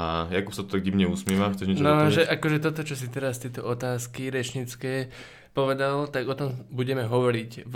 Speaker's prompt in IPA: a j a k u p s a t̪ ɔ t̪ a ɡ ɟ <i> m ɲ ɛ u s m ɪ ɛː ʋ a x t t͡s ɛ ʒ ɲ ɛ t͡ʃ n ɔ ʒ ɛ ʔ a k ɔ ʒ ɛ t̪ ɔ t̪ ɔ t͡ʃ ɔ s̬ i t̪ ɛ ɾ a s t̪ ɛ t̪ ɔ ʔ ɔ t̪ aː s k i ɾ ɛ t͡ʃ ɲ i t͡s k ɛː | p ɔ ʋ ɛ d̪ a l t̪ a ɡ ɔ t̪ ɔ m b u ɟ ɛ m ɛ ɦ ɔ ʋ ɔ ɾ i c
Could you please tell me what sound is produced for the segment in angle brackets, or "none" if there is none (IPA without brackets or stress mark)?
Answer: i